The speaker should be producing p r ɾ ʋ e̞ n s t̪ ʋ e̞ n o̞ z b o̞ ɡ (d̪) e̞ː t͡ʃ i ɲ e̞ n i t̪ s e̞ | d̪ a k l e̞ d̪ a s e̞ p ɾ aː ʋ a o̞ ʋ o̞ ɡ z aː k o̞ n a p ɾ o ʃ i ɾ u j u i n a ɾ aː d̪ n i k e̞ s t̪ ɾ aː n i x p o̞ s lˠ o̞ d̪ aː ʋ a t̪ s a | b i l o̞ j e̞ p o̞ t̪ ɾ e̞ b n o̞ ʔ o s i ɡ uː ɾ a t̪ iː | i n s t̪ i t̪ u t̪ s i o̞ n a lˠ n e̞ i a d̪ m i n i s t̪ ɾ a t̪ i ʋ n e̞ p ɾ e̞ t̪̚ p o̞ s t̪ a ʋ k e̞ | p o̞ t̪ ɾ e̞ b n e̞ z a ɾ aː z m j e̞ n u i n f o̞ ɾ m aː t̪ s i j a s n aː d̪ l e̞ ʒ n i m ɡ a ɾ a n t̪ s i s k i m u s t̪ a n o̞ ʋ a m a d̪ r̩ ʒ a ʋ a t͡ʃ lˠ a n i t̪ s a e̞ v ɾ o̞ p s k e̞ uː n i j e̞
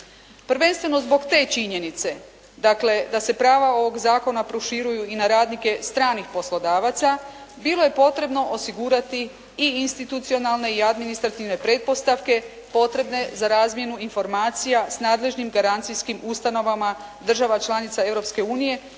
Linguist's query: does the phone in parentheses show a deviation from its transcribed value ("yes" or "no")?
yes